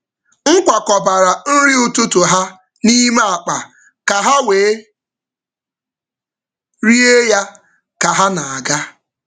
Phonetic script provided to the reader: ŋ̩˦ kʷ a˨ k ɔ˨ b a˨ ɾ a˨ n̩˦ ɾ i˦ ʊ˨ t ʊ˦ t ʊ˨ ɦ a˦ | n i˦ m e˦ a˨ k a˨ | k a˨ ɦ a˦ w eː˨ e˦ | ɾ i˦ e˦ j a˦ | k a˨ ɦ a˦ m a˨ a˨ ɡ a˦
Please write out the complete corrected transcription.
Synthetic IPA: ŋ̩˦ kʷ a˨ k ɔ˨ b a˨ ɾ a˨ n̩˦ ɾ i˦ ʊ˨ t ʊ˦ t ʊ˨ ɦ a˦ | n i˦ m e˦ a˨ k͡p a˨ | k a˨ ɦ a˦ w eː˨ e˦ | ɾ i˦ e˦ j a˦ | k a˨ ɦ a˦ n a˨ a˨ ɡ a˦